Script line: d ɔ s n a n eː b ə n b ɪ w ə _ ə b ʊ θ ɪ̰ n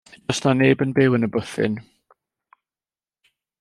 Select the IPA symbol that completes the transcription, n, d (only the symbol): n